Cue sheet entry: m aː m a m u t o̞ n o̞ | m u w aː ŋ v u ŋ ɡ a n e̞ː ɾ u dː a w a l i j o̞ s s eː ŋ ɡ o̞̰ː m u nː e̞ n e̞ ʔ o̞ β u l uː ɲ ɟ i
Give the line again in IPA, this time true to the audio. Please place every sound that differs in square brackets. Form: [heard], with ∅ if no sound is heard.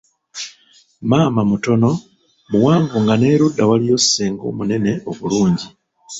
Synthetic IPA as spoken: m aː m a m u t o̞ n o̞ | m u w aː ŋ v u ŋ ɡ a n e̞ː ɾ u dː a w a l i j o̞ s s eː ŋ ɡ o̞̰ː m u [n] e̞ n e̞ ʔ o̞ β u l uː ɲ ɟ i